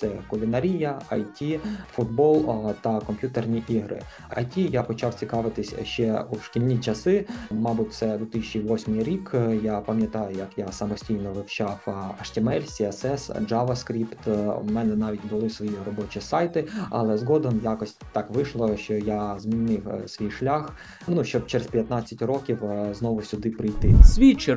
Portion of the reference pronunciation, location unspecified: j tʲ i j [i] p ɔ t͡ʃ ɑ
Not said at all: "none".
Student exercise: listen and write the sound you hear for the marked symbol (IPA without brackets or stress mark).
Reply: a